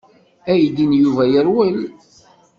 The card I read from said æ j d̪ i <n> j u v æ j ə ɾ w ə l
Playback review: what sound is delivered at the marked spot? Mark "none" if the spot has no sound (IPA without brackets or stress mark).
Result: n